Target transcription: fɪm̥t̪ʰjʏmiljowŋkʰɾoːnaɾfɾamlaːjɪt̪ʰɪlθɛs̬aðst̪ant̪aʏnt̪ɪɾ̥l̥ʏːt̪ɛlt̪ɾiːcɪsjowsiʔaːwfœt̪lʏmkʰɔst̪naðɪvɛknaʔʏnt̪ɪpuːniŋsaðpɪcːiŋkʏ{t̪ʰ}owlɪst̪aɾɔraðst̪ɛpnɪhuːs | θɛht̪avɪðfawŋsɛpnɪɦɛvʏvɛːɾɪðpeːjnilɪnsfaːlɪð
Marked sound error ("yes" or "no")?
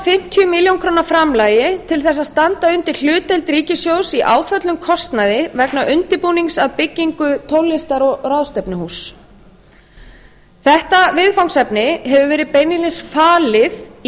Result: no